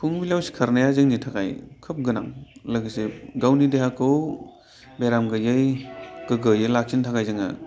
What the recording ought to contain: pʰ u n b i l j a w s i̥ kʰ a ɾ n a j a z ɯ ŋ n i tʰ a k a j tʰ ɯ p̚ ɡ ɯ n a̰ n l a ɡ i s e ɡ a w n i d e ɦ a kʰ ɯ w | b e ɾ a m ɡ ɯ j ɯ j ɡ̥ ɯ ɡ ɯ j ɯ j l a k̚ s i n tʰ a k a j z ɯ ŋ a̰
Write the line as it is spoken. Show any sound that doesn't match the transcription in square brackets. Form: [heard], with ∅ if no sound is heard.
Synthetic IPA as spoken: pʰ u [ŋ] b i l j a w s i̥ kʰ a ɾ n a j a z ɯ ŋ n i tʰ a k a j [kʰ] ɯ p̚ ɡ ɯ n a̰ [ŋ] l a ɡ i s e ɡ a w n i d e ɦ a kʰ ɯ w | b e ɾ a m ɡ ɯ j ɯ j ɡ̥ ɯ ɡ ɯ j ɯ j l a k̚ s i n tʰ a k a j z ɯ ŋ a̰